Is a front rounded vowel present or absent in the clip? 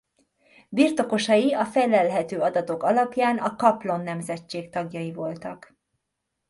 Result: present